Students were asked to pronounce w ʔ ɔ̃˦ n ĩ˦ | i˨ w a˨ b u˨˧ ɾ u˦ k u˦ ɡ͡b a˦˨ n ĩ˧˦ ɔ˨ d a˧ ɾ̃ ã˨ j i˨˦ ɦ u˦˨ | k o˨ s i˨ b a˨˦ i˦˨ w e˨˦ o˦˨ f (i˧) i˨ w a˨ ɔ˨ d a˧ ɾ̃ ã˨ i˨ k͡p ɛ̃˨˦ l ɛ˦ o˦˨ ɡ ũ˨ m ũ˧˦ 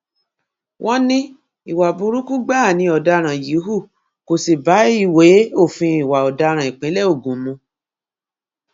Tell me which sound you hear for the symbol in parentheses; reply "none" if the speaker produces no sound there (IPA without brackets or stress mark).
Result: ĩ˧